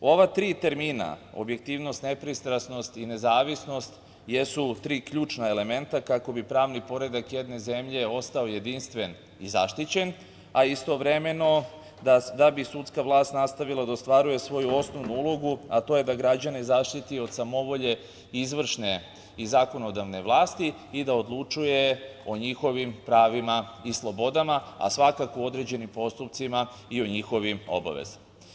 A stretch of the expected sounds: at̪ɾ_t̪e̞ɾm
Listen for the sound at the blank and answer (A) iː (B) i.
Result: A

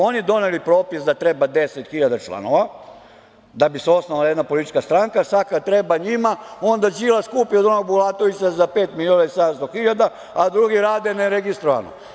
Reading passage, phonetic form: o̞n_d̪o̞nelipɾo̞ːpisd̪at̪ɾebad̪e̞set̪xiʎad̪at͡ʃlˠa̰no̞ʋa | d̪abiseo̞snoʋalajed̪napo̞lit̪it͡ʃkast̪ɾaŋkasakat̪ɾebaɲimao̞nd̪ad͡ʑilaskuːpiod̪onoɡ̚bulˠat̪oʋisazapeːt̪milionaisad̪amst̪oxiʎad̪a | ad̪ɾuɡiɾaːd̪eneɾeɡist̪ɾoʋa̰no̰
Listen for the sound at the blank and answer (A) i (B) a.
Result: A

